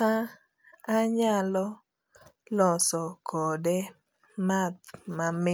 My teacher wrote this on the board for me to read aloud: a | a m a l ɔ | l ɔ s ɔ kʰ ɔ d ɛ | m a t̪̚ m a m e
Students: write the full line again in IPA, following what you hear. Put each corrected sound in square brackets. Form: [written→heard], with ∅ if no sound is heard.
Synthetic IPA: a | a [m→ɲ] a l ɔ | l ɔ s ɔ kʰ ɔ d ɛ | m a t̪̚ m a m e